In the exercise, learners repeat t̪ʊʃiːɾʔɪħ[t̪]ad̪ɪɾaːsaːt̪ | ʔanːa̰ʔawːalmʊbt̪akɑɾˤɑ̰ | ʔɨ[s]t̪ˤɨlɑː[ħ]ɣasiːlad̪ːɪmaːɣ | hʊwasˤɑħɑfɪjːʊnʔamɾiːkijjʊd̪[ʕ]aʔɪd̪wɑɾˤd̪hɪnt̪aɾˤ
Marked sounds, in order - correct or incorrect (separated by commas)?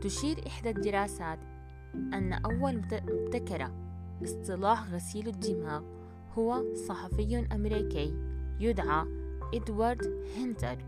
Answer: incorrect, correct, correct, correct